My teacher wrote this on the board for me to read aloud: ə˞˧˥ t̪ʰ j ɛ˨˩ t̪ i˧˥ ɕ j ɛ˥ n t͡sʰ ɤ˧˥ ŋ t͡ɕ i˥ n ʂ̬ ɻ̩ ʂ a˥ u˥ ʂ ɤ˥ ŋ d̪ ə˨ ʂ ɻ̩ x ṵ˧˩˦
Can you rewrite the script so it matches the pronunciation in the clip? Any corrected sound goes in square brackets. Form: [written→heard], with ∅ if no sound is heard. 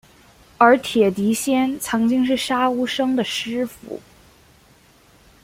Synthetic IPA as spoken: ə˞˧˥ t̪ʰ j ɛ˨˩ t̪ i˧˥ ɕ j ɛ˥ n t͡sʰ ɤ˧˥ ŋ t͡ɕ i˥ [n→ŋ] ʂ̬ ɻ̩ ʂ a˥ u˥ ʂ ɤ˥ ŋ d̪ ə˨ ʂ ɻ̩ [x→f] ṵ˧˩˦